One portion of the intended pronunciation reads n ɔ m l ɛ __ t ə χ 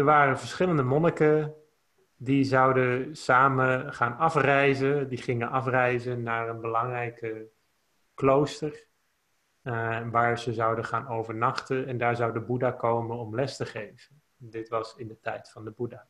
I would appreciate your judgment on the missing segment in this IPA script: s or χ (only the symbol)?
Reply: s